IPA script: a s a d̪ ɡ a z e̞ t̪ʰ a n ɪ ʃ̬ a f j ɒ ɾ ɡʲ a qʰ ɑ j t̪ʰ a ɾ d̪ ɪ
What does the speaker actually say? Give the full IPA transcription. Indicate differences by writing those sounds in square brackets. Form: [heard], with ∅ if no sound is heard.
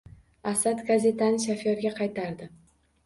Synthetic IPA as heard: a s a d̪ ɡ a z e̞ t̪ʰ a n ɪ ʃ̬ a f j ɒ ɾ ɡʲ a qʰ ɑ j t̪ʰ a ɾ d̪ ɪ